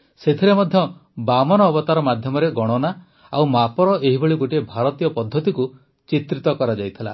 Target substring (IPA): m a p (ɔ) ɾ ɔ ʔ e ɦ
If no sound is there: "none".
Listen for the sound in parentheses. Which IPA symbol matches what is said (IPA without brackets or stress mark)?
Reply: ɔ